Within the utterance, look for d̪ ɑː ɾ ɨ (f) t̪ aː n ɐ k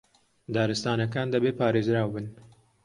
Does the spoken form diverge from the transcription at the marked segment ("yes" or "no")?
yes